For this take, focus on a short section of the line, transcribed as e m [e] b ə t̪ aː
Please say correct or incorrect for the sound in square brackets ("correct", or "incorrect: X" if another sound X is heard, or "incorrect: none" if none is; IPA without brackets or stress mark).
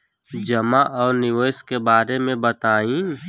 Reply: incorrect: ẽ